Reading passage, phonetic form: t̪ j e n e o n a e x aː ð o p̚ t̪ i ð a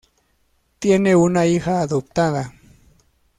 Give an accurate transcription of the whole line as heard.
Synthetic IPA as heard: t̪ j e n e u n a i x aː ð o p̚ t̪ a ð a